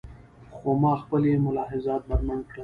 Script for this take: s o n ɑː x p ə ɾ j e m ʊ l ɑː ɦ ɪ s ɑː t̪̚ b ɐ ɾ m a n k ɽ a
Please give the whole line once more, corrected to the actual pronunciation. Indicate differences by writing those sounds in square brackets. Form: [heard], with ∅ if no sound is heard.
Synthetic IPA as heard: [x] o [m] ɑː x p ə [l] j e m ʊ l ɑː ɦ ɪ [z] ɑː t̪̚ b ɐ ɾ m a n k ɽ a

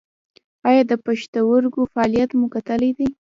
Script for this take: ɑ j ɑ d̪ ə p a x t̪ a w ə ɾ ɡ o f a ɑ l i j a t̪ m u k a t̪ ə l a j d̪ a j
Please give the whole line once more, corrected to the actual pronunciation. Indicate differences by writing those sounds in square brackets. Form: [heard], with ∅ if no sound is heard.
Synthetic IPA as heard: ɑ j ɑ d̪ ə p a [ʃ] t̪ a w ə ɾ ɡ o f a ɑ l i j a t̪ m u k a t̪ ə l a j d̪ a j

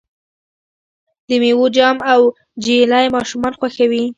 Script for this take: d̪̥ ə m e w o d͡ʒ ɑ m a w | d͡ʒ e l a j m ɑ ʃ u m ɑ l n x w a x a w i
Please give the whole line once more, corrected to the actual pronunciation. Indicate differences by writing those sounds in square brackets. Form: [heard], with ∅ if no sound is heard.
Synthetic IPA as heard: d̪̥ ə m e w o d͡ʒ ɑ m a w | d͡ʒ e l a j m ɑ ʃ u m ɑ [∅] n x w a x a w i

